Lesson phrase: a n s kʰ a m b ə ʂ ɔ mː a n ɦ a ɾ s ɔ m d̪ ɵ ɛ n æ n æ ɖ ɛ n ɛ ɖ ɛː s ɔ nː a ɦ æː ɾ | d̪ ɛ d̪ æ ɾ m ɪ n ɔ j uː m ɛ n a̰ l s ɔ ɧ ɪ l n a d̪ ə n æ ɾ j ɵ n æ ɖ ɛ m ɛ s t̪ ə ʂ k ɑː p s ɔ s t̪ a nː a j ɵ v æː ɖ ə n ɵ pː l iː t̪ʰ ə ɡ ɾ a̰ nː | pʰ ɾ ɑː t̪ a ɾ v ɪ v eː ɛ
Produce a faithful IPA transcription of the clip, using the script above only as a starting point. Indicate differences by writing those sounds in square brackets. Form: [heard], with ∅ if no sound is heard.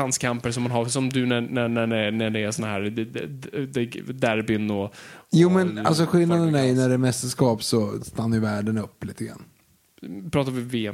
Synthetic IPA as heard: a n s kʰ a m [p] ə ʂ ɔ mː a n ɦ a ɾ s ɔ m d̪ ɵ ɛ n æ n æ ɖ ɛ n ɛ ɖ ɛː s ɔ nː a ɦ æː ɾ | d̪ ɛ d̪ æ ɾ [b] ɪ n ɔ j uː m ɛ n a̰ l s ɔ ɧ ɪ l n a d̪ ə n æ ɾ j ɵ n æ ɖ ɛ m ɛ s t̪ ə ʂ k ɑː p s ɔ s t̪ a nː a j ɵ v æː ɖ ə n ɵ pː l iː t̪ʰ ə ɡ ɾ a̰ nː | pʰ ɾ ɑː t̪ a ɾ v ɪ v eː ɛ